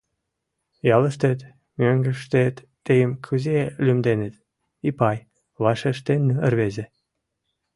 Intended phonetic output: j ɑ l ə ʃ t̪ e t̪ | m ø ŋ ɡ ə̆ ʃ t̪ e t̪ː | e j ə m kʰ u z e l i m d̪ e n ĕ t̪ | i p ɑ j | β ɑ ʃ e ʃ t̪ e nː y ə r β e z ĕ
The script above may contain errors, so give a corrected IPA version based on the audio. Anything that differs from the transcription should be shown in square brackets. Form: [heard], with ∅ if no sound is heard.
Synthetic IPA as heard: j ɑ l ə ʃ t̪ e t̪ | m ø ŋ ɡ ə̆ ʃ t̪ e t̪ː | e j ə m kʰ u z e l [y] m d̪ e n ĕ t̪ | i p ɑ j | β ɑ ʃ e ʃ t̪ e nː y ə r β e z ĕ